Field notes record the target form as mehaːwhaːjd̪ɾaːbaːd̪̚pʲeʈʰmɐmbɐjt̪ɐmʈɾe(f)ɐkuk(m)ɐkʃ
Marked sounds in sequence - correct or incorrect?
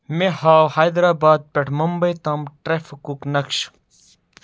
correct, incorrect: n

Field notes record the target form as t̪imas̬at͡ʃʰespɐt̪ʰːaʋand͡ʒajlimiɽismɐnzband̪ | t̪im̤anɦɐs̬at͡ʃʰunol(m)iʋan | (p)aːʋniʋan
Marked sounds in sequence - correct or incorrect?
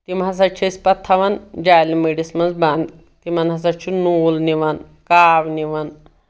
incorrect: n, incorrect: k

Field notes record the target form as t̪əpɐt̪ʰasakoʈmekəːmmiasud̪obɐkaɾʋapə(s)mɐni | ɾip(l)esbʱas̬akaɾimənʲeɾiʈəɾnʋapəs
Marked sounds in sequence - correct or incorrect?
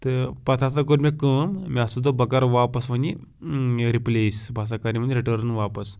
correct, correct

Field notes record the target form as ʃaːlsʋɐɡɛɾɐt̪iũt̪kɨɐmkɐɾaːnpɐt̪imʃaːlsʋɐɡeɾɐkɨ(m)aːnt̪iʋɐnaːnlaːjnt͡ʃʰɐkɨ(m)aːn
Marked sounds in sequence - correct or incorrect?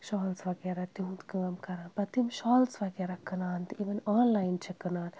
incorrect: n, incorrect: n

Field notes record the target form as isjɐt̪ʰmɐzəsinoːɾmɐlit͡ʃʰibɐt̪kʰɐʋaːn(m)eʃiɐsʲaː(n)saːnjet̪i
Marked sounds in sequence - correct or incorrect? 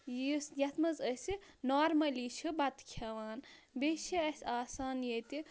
incorrect: b, incorrect: none

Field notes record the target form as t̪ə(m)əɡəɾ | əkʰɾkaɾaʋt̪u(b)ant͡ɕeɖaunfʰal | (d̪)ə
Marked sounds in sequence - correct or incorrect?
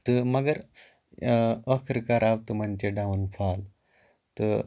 correct, incorrect: m, incorrect: t̪

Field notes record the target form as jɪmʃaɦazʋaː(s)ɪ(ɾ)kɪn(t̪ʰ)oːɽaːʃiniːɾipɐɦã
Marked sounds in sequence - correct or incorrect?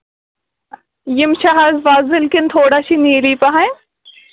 incorrect: z, incorrect: l, correct

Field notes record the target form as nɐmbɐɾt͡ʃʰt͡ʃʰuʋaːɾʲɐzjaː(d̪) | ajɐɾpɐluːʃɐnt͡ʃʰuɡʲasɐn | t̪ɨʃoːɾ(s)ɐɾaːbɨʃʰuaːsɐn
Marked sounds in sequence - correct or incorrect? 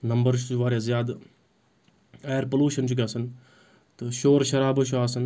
correct, incorrect: ʃ

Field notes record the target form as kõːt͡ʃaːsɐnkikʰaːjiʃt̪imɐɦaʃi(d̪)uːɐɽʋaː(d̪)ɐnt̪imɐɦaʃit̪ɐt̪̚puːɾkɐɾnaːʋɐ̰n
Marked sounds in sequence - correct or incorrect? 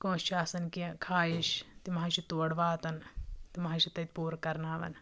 incorrect: t̪, incorrect: t̪

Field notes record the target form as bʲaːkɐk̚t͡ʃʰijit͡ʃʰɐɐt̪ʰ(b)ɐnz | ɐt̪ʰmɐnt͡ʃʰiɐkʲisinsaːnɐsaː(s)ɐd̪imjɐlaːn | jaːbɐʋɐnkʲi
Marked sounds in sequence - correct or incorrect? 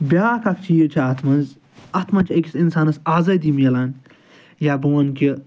incorrect: m, incorrect: z

